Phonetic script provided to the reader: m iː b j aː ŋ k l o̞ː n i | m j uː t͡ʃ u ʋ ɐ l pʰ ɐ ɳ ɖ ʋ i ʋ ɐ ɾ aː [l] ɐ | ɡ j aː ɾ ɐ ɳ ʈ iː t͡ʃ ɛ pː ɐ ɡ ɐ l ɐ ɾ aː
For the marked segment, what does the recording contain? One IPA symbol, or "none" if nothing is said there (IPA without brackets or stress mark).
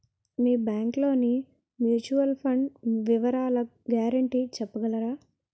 l